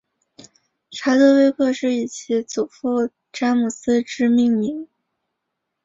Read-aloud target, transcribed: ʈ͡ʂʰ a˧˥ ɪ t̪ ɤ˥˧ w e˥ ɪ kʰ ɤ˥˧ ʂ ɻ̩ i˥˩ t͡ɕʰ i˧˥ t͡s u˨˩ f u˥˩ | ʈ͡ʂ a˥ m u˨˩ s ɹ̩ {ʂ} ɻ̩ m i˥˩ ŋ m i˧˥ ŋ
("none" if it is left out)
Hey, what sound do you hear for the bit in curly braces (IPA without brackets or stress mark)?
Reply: ʈ͡ʂ